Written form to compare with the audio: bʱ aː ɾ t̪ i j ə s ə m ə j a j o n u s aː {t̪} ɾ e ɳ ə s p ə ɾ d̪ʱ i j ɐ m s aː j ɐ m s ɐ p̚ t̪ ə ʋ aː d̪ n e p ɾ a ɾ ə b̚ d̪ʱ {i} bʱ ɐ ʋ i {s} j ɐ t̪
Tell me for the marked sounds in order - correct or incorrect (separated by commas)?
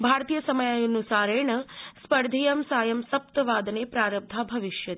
incorrect, incorrect, incorrect